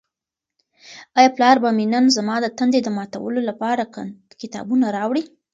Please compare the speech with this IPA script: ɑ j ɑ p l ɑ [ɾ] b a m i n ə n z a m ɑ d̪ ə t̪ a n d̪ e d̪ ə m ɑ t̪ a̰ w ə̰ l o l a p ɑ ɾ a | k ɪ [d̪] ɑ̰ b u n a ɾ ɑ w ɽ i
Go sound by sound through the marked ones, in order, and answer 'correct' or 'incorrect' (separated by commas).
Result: correct, incorrect